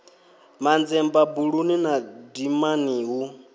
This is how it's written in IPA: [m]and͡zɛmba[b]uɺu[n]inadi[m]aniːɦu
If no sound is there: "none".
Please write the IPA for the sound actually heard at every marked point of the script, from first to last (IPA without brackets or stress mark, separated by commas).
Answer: m, b, n, m